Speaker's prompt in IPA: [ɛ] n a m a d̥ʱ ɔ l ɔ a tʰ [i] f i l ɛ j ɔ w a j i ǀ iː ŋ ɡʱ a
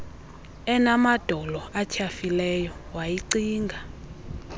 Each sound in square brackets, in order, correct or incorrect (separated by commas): correct, incorrect